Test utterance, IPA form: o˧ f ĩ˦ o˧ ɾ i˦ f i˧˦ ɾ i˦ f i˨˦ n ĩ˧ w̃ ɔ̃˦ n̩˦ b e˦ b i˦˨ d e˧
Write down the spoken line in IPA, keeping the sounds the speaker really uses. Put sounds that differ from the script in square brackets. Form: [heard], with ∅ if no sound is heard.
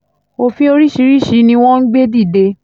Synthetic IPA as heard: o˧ f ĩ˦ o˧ ɾ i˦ [ʃ] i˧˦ ɾ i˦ [ʃ] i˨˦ n ĩ˧ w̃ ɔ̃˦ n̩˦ [ɡ͡b] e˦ [d] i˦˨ d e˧